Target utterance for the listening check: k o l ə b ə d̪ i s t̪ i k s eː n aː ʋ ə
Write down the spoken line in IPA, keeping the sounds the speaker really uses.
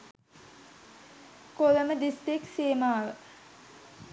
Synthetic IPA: k o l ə m ə d̪ i s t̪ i k s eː m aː ʋ ə